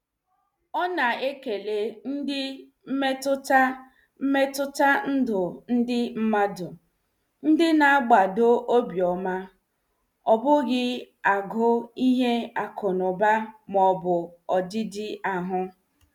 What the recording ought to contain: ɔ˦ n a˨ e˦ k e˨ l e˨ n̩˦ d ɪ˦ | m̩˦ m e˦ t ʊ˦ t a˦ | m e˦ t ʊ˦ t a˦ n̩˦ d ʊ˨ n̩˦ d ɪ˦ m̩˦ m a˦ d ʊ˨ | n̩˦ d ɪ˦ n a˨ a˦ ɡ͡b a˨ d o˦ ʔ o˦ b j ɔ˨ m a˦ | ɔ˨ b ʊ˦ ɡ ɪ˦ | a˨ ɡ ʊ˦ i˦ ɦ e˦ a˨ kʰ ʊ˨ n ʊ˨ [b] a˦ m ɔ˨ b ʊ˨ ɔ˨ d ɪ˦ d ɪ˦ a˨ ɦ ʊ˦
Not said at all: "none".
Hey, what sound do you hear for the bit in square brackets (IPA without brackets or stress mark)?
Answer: b